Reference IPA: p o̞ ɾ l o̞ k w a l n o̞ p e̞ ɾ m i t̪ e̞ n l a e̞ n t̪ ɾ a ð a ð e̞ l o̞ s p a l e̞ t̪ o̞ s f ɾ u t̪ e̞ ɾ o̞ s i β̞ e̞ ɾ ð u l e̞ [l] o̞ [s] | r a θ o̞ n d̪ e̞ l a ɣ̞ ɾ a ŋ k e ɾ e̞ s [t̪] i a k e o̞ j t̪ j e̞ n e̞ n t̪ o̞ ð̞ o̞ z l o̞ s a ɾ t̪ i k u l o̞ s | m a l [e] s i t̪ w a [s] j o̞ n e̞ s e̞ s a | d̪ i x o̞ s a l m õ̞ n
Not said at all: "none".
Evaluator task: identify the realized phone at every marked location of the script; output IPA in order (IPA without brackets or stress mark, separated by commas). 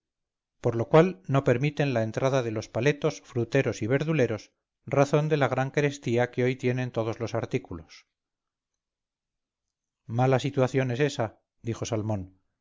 ɾ, s, t̪, a, θ